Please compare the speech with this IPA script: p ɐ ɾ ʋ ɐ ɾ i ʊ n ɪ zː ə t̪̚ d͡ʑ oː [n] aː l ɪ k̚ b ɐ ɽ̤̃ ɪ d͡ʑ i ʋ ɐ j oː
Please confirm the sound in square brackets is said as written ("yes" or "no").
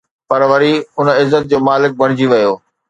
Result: no